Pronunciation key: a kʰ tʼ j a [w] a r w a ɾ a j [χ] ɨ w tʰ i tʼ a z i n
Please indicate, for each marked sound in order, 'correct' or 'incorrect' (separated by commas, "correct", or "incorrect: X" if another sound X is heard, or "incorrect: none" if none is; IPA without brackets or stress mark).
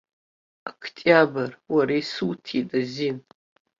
incorrect: b, incorrect: s